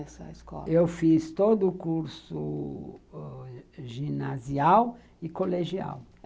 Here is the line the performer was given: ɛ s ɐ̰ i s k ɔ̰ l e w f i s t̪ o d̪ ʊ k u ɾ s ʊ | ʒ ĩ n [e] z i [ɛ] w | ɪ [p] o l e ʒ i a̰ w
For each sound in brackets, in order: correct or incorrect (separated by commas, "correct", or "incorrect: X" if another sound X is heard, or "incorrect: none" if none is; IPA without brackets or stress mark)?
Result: incorrect: a, incorrect: a, incorrect: k